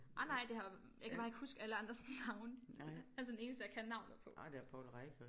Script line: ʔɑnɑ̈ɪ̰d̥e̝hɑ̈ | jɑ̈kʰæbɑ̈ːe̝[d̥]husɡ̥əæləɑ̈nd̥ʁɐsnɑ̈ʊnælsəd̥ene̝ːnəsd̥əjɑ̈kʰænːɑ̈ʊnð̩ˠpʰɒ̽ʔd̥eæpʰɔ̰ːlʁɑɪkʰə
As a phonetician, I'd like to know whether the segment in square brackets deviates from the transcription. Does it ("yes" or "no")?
yes